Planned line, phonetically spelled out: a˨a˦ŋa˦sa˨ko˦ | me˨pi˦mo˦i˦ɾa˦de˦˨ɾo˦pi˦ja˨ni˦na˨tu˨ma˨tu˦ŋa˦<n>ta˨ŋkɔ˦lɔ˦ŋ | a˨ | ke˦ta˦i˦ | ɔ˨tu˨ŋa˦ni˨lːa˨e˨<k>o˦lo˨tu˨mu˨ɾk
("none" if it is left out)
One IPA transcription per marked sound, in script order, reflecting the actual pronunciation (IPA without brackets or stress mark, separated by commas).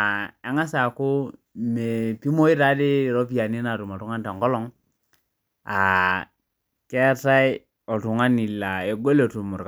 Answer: n, ɡ